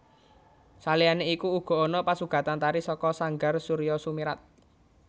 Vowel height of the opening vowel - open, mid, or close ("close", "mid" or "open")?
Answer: open